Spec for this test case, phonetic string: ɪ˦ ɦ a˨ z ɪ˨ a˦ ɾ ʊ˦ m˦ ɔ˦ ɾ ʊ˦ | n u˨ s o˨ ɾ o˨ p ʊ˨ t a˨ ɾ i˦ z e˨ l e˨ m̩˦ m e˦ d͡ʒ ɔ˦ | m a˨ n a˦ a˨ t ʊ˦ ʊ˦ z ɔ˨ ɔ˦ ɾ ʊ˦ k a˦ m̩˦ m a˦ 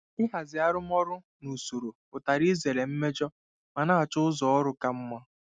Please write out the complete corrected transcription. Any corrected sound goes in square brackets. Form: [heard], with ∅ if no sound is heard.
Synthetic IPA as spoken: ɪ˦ ɦ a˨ z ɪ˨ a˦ ɾ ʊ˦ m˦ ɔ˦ ɾ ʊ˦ | n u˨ s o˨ ɾ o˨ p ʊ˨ t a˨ ɾ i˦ z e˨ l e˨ m̩˦ m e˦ d͡ʒ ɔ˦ | m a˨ n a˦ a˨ [t͡ʃ] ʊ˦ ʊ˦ z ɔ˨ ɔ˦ ɾ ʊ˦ k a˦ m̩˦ m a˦